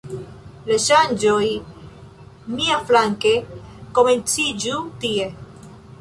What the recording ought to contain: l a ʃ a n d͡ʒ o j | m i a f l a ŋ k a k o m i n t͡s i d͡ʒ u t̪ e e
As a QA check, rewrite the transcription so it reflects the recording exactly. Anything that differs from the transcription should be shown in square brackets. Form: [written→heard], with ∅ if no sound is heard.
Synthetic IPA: l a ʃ a n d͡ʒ o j | m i a f l a ŋ k [a→e] k o m [i→e] n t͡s i d͡ʒ u t̪ [e→i] e